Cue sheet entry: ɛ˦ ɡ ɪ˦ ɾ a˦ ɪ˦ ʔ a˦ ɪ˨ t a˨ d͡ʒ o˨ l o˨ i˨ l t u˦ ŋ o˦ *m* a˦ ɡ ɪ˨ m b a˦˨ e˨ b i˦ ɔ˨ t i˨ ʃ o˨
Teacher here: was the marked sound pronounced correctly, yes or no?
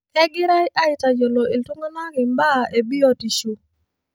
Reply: no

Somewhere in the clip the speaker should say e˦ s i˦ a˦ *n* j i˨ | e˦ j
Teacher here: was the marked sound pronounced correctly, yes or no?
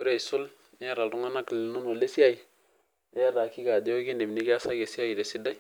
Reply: no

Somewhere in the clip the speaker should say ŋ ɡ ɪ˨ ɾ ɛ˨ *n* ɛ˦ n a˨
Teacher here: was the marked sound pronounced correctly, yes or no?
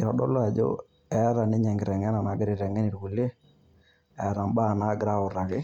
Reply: no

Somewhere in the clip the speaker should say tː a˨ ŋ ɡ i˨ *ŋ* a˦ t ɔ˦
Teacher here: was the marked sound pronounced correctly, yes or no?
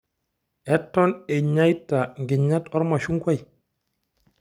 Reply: no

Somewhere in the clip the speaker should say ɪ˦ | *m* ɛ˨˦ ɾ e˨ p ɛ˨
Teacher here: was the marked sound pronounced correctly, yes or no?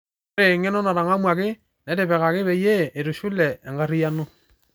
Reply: no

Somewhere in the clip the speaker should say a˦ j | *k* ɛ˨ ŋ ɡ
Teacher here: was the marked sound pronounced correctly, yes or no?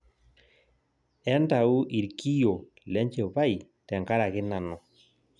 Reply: no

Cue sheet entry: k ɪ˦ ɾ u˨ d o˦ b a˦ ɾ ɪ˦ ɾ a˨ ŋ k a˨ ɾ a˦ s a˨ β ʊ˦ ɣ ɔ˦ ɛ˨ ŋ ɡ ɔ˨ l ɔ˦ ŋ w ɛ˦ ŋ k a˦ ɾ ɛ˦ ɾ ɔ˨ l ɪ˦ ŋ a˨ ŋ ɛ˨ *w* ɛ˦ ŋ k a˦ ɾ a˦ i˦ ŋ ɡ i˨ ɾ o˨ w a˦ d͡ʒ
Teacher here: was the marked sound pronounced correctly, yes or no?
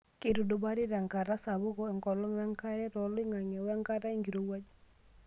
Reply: yes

